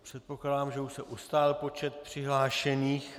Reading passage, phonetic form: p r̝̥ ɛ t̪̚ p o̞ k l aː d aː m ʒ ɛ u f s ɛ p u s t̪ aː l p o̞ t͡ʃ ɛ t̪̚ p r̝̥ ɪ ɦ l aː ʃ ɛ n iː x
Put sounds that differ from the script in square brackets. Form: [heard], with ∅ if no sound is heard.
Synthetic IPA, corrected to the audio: p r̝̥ ɛ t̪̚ p o̞ k l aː d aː m ʒ ɛ u [ʃ] s ɛ [ʔ] u s t̪ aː l p o̞ t͡ʃ ɛ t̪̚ p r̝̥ ɪ ɦ l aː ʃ ɛ n iː x